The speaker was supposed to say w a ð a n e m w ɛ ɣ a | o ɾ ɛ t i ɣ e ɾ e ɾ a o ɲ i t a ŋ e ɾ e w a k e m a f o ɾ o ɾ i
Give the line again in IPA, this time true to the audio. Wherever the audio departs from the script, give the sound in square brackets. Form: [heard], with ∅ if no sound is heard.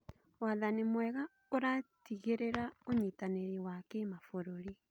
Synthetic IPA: w a ð a n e m w ɛ ɣ a | o ɾ [a] t i ɣ e ɾ e ɾ a o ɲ i t a [n] e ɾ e w a k e m a f o ɾ o ɾ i